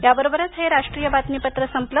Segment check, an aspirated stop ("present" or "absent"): absent